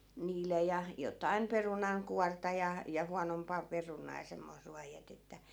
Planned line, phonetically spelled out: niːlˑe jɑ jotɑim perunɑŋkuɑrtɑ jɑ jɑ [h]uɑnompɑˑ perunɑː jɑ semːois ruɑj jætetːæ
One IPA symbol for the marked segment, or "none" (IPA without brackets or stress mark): h